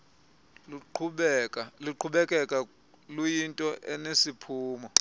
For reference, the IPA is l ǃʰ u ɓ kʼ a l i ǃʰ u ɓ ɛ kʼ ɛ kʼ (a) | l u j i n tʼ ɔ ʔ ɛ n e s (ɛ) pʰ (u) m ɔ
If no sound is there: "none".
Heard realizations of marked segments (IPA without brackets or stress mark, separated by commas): a, i, uː